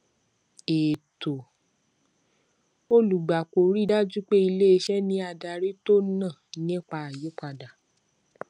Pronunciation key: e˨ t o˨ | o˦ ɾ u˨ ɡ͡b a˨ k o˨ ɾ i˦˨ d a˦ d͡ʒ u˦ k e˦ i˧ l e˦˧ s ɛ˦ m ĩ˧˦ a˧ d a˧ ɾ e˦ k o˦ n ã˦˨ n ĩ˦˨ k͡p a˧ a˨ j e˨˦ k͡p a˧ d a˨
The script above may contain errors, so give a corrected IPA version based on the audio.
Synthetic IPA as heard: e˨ t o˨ | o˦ l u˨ ɡ͡b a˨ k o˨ ɾ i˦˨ d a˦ d͡ʒ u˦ k͡p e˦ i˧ l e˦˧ ʃ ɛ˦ n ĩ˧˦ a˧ d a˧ ɾ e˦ t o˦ n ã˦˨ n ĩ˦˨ k͡p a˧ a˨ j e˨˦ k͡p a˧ d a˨